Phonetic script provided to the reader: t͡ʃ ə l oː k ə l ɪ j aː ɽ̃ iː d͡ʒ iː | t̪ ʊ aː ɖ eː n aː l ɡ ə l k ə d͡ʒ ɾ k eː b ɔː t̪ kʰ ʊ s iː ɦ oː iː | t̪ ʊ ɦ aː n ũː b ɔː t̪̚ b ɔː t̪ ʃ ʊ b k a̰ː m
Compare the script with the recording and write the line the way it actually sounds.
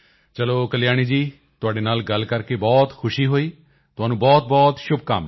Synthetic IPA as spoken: t͡ʃ ə l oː k ə l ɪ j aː ɽ̃ iː d͡ʒ iː | t̪ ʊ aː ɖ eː n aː l ɡ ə l k ə ɾ k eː b ɔː t̪ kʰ ʊ ʃ iː ɦ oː iː | t̪ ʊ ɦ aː n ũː b ɔː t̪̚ b ɔː t̪ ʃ ʊ b k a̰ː m